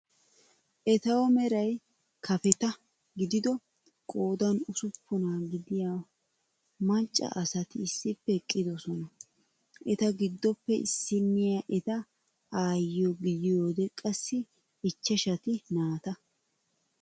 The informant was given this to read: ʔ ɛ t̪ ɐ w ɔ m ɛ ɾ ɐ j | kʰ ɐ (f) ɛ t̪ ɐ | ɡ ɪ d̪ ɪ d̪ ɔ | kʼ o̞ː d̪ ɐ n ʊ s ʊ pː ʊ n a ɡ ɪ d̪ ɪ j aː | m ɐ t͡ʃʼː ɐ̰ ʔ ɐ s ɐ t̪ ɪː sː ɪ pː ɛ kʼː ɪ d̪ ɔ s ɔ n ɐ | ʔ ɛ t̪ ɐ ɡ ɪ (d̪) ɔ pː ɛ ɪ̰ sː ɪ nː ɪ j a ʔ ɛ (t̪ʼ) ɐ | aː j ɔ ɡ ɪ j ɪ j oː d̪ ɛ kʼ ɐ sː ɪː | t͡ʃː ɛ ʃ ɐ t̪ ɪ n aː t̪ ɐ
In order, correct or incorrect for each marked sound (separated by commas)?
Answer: correct, incorrect, incorrect